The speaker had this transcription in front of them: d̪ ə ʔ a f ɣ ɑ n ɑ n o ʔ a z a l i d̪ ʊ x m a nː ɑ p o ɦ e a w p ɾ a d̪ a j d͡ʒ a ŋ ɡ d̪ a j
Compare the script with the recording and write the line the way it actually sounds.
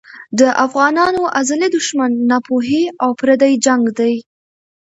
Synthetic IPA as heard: d̪ ə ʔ a f ɣ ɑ n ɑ n o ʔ a z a l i d̪ ʊ ʃ m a nː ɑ p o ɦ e a w p ɾ a d̪ a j d͡ʒ a ŋ ɡ d̪ a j